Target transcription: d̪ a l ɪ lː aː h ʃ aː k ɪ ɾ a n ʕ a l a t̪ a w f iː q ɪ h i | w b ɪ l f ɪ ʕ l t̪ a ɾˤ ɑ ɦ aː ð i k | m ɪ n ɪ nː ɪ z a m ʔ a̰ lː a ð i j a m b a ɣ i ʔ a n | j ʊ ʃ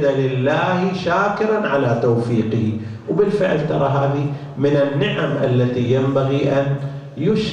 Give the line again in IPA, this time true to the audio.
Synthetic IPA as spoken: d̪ a l ɪ lː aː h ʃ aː k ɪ ɾ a n ʕ a l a t̪ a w f iː q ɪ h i | w b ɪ l f ɪ ʕ l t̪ ɑ ɾˤ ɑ ɦ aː ð i | m ɪ n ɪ nː ɪ ʕ a m ʔ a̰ lː a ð i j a m b a ɣ i ʔ a n | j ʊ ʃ